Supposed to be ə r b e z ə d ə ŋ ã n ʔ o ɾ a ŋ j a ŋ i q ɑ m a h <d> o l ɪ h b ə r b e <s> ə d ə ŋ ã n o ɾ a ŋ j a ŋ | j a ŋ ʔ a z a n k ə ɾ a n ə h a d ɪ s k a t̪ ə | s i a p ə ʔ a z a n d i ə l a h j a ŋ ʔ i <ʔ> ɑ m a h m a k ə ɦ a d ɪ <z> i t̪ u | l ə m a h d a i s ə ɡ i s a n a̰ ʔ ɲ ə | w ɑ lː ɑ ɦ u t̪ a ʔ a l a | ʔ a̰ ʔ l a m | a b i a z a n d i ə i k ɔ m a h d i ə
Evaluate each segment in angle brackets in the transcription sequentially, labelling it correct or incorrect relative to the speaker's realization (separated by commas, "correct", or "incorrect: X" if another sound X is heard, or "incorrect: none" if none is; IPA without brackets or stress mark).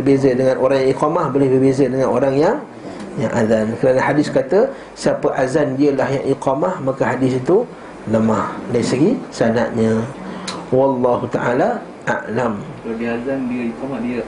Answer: incorrect: b, incorrect: z, incorrect: q, incorrect: s